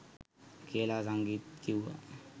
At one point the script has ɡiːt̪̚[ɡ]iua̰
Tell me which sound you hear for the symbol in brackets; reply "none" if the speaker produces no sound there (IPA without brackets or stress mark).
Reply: k